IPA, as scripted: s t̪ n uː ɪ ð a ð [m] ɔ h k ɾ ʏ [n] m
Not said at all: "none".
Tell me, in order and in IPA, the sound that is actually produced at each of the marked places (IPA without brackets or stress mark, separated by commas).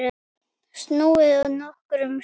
n, none